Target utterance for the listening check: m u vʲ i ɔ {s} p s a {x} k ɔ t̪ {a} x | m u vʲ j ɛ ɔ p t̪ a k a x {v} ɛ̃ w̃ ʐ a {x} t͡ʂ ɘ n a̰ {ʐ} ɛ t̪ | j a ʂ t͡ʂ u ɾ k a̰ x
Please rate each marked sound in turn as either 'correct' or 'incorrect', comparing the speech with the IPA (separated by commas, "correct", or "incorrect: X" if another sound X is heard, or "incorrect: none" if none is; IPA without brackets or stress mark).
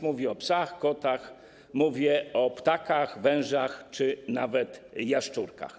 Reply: incorrect: none, correct, correct, correct, correct, incorrect: v